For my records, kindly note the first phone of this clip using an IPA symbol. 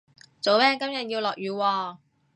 t͡s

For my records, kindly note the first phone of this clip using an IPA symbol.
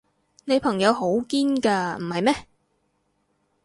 n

